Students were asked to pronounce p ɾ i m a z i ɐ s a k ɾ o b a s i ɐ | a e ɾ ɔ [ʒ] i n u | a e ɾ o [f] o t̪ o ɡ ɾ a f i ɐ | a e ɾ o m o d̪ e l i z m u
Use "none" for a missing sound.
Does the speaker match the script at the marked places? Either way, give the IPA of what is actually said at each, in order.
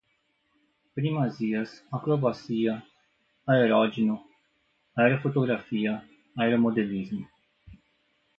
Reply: d͡ʒ, f

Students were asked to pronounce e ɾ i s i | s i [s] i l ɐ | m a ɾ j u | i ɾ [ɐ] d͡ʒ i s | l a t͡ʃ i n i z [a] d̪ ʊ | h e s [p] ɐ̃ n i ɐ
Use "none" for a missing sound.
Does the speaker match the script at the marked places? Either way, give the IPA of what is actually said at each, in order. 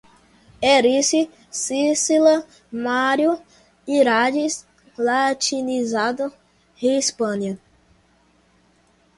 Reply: s, a, a, p

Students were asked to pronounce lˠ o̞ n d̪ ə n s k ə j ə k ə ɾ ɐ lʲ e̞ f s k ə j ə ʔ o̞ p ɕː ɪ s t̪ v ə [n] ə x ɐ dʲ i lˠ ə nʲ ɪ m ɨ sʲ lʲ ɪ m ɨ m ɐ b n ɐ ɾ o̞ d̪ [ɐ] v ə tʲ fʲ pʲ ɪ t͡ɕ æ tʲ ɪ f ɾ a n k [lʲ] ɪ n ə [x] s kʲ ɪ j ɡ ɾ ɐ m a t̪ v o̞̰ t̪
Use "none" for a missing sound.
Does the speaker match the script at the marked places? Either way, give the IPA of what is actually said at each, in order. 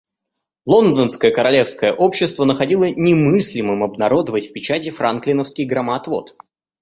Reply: n, ə, lʲ, f

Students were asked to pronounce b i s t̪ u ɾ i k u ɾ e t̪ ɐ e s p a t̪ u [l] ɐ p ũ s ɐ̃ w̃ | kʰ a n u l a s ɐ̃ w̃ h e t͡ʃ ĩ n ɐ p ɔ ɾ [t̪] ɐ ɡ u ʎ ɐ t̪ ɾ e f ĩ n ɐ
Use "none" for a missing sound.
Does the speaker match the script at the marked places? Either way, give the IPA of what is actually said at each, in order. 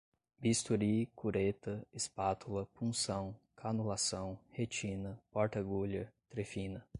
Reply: l, t̪

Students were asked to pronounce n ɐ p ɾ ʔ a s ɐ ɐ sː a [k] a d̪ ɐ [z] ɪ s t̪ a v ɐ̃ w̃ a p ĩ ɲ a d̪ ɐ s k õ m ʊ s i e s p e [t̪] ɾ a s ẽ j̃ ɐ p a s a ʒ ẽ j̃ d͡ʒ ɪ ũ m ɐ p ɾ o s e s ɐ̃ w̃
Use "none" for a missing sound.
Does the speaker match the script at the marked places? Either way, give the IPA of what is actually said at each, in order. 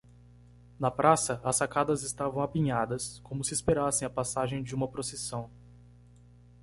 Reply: k, z, none

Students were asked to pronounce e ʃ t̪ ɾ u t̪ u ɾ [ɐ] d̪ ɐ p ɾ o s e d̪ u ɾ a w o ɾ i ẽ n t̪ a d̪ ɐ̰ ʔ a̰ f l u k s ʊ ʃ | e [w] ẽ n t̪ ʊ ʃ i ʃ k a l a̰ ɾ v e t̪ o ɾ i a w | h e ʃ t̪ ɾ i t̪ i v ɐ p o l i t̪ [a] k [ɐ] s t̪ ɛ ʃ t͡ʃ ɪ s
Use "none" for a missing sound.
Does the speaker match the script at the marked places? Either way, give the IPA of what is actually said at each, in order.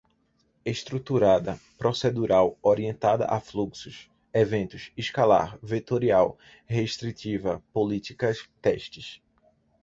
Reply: a, v, i, ɐ

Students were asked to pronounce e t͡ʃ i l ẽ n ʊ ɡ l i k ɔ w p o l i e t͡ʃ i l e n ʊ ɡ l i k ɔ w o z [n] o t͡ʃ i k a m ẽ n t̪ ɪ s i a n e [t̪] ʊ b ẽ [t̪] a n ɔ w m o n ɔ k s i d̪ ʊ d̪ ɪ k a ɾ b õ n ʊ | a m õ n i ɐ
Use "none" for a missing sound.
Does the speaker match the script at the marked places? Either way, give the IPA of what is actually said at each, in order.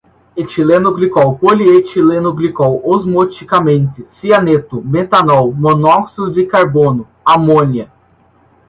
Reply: m, t̪, t̪

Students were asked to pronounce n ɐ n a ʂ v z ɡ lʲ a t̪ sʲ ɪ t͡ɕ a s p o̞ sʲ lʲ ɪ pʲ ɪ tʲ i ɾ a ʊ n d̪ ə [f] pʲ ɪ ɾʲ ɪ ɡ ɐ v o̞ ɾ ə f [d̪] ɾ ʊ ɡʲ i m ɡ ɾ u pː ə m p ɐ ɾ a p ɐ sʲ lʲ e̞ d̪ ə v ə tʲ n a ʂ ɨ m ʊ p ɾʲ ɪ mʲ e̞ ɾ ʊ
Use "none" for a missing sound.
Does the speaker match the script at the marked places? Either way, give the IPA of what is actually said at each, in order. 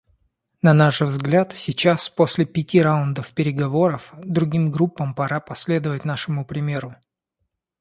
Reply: f, d̪

